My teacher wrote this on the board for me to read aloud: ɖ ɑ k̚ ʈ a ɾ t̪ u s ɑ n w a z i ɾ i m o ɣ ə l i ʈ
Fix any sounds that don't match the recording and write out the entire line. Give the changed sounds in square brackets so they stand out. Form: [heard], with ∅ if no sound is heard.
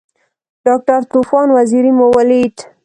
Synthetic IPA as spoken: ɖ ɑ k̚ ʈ a ɾ t̪ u [f] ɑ n w a z i ɾ i m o [w] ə l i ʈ